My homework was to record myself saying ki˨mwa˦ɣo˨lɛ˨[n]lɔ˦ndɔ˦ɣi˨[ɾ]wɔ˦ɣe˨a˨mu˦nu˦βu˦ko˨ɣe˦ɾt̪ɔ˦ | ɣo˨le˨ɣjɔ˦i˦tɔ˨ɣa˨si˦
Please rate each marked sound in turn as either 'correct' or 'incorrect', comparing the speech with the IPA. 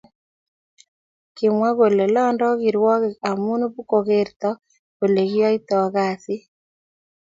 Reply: incorrect: none, correct

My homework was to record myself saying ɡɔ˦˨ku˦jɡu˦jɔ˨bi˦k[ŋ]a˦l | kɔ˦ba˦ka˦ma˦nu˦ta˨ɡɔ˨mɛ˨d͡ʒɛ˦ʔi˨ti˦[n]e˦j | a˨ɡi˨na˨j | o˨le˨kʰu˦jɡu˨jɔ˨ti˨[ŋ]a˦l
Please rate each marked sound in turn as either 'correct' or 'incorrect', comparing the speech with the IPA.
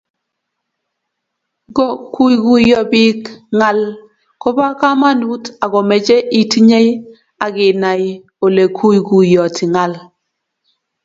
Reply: correct, incorrect: ɲ, correct

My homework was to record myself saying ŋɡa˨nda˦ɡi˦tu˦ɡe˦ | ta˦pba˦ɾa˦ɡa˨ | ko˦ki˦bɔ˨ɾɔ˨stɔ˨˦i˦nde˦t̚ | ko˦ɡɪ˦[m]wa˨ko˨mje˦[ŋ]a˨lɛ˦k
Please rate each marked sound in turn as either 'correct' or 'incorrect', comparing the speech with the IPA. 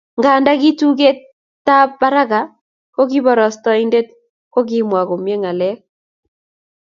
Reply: correct, correct

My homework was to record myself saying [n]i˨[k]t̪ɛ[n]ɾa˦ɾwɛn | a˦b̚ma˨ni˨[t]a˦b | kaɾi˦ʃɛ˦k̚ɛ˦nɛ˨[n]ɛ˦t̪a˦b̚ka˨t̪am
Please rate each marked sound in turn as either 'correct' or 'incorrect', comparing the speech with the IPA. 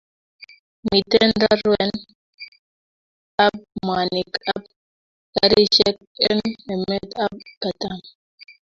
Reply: incorrect: m, incorrect: none, correct, incorrect: k, incorrect: m

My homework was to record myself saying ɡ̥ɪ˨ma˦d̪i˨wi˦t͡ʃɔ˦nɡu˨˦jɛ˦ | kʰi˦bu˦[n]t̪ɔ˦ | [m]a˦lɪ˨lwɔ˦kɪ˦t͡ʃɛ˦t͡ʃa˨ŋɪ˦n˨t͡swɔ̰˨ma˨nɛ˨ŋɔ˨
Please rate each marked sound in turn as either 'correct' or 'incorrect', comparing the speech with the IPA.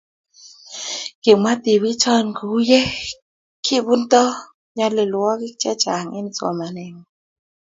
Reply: correct, incorrect: ɲ

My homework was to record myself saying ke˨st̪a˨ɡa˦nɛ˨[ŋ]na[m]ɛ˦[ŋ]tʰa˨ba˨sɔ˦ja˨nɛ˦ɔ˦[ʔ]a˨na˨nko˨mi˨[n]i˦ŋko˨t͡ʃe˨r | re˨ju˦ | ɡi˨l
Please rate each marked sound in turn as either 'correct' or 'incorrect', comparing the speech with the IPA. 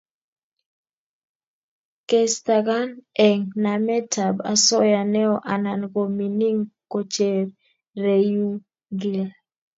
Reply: correct, correct, incorrect: none, correct, correct

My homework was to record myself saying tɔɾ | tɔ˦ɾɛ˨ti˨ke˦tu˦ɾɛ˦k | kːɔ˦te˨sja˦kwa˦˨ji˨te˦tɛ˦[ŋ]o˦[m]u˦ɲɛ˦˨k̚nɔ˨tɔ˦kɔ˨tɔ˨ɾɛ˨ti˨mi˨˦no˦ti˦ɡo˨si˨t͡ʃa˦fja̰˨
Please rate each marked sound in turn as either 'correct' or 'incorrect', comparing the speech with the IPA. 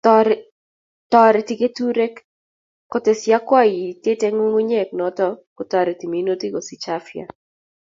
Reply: correct, incorrect: ŋ

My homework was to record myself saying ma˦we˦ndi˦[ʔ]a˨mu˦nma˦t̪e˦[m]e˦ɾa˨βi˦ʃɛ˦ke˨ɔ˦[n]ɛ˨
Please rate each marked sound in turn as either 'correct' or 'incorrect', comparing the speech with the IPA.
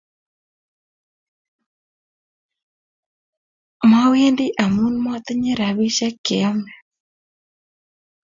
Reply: correct, incorrect: ɲ, incorrect: m

